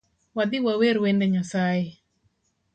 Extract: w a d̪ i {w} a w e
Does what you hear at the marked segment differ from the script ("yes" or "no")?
no